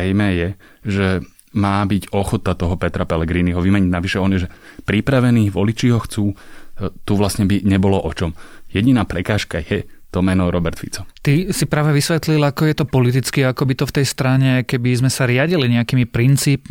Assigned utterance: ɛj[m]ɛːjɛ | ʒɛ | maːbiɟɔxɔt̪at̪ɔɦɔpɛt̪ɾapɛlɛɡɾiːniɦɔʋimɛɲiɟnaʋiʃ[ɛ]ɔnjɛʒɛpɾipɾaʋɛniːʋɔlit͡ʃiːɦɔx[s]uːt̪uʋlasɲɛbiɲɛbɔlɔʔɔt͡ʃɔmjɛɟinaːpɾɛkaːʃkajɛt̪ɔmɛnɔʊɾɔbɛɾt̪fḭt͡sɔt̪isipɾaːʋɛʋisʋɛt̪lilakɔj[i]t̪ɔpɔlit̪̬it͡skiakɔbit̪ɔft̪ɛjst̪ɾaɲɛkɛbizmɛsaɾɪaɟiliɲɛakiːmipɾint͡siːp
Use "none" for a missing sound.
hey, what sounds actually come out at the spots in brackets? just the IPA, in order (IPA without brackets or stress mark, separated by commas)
m, ɛ, t͡s, ɛ